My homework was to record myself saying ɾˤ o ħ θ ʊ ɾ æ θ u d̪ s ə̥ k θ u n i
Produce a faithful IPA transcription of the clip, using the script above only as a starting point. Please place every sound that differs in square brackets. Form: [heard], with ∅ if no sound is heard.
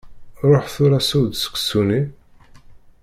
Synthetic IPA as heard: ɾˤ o ħ θ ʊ ɾ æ [s] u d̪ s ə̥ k [s] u n i

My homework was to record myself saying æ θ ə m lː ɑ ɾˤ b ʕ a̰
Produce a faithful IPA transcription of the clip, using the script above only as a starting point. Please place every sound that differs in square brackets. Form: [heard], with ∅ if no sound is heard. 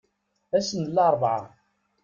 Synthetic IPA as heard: æ [s] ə [n] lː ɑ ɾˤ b ʕ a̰

